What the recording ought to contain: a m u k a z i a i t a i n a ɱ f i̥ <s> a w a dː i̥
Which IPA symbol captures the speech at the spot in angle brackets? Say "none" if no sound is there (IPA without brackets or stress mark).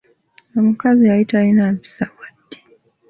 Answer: s